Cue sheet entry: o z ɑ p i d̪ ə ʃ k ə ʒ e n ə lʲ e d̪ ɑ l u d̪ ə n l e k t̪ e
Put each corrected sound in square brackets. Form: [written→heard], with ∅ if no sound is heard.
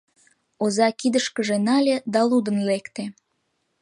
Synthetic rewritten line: o z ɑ [p→k] i d̪ ə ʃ k ə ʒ e n [ə→ɑ] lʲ e d̪ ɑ l u d̪ ə n l e k t̪ e